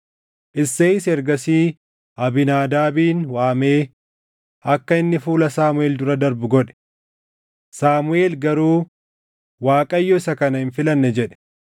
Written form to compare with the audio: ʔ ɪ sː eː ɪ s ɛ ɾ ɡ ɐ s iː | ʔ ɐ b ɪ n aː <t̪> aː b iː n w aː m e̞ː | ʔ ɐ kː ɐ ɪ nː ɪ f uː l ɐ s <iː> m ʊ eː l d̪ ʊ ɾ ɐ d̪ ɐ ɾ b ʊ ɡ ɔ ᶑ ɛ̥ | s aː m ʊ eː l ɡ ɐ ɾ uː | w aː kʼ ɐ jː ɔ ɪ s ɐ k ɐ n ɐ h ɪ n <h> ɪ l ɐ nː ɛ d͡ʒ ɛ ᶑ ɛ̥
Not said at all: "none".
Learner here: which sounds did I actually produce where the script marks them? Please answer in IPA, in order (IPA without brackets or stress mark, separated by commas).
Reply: d̪, aː, f